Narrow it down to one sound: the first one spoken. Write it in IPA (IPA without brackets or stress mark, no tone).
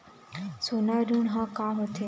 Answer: s